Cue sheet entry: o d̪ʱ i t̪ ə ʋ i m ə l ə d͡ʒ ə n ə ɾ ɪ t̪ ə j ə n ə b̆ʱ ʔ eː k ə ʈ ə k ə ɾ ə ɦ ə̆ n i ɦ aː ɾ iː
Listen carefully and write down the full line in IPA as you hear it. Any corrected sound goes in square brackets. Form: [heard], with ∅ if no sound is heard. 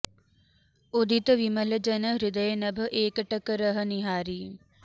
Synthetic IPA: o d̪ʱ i t̪ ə ʋ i m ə l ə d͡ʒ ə n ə ɾ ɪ [d̪] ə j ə n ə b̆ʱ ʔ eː k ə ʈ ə k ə ɾ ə ɦ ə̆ n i ɦ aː ɾ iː